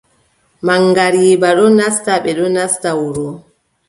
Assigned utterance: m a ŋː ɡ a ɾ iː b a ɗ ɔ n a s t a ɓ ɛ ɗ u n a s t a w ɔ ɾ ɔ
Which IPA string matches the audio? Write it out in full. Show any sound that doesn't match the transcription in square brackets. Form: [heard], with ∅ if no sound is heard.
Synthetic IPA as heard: m a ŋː ɡ a ɾ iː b a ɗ ɔ n a s t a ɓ ɛ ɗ [ɔ] n a s t a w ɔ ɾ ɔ